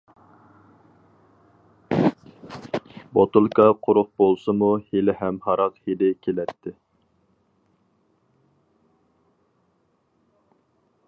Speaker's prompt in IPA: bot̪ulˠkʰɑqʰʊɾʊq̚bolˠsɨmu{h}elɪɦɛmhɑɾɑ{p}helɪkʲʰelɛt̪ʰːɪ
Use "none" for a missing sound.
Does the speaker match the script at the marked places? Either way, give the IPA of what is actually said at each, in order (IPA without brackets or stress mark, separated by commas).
h, q